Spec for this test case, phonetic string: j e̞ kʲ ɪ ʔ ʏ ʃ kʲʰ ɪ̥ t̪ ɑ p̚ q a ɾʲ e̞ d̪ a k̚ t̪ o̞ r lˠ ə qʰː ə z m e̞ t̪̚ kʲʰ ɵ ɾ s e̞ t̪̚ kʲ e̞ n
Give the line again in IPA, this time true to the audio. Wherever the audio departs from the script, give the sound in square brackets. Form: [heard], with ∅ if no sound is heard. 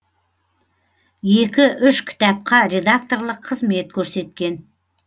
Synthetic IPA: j e̞ kʲ ɪ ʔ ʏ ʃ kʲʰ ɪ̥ t̪ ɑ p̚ q [ɑ] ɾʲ e̞ d̪ a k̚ t̪ o̞ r lˠ ə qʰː ə z m e̞ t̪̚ kʲʰ ɵ ɾ s e̞ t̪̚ kʲ e̞ n